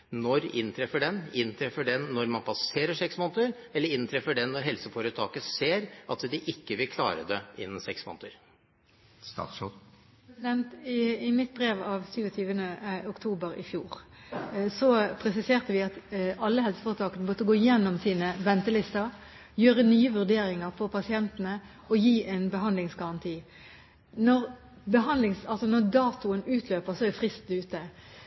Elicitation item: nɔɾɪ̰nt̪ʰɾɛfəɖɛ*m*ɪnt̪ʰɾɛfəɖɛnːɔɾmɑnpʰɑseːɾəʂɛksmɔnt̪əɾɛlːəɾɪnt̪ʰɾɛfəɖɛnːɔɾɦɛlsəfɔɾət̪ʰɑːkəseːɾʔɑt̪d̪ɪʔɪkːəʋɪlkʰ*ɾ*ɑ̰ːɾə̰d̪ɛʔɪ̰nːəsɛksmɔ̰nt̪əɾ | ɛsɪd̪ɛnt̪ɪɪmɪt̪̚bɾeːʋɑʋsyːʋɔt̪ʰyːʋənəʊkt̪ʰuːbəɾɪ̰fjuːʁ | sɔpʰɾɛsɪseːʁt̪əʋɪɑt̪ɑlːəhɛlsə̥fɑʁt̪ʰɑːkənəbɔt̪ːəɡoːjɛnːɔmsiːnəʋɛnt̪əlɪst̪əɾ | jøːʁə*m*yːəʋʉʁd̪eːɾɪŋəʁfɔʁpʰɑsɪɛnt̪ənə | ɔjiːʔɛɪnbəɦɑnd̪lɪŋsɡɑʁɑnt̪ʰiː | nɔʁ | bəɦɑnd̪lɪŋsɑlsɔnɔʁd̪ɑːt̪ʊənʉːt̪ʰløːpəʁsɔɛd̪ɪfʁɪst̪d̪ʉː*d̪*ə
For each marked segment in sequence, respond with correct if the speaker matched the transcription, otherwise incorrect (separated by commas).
incorrect, incorrect, incorrect, incorrect